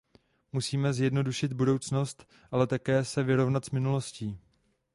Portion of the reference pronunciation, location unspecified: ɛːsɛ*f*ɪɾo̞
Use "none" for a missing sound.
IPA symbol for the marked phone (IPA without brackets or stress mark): v